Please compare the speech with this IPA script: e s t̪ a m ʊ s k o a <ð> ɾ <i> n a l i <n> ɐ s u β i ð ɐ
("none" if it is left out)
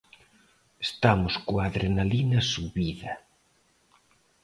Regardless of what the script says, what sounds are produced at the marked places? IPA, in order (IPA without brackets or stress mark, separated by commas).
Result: ð, e, n